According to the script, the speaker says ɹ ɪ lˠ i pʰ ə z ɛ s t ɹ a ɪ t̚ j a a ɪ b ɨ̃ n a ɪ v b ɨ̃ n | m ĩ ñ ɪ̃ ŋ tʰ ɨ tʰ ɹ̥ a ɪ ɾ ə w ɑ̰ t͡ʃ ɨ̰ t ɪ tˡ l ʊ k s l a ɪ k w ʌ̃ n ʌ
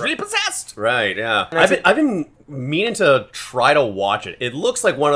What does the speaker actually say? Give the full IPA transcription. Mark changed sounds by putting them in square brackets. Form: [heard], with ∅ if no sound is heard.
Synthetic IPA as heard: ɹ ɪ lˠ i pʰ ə z ɛ s t ɹ a ɪ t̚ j [æ] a ɪ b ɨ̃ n a ɪ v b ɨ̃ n | m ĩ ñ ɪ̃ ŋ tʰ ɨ tʰ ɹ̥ a ɪ ɾ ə w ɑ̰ t͡ʃ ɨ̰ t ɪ tˡ l ʊ k s l a ɪ k w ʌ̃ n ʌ